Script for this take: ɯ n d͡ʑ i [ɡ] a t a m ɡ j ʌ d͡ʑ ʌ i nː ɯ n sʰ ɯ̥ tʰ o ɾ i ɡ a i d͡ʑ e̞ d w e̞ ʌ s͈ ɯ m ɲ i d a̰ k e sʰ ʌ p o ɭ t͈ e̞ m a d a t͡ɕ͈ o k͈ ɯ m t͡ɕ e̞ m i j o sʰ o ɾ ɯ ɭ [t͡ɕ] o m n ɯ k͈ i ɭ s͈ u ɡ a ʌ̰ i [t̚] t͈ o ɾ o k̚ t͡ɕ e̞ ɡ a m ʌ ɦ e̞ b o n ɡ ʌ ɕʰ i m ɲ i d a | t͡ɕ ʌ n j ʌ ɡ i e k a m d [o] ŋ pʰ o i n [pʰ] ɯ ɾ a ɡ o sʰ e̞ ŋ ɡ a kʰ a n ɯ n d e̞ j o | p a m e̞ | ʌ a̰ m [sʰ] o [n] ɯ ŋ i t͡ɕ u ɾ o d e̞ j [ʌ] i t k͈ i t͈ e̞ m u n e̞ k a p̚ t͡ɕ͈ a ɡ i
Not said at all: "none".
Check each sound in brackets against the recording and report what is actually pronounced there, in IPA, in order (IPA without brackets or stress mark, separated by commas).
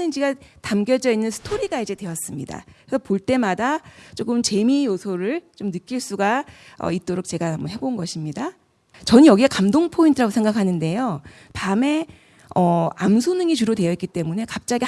ɡ, t͡ɕ, t̚, o, tʰ, sʰ, n, ʌ